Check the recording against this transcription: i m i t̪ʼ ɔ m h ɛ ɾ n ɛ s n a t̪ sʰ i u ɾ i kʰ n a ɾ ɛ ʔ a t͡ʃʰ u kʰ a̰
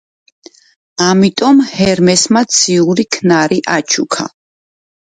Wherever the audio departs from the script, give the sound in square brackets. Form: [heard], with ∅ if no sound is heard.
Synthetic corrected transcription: [a] m i t̪ʼ ɔ m h ɛ ɾ [m] ɛ s [m] a t̪ sʰ i u ɾ i kʰ n a ɾ [i] ʔ a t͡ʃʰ u kʰ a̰